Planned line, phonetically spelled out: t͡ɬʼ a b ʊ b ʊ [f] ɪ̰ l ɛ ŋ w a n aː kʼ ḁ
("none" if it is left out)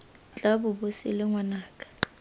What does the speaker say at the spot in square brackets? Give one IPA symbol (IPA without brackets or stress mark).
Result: s